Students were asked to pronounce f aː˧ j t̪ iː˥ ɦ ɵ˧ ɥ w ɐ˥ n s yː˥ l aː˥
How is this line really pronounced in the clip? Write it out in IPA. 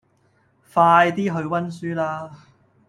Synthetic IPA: f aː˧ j t̪ iː˥ ɦ ɵ˧ ɥ w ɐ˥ n s yː˥ l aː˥